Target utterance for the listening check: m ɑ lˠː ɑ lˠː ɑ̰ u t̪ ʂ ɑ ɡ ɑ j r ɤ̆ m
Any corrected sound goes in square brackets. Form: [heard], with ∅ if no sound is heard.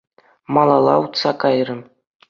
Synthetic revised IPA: m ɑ [lˠ] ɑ [lˠ] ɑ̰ u t̪ [s] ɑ [k] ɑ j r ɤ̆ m